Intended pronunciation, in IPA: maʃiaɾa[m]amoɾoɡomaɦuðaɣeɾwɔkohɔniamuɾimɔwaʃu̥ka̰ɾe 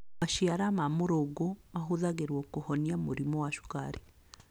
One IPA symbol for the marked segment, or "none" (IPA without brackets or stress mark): m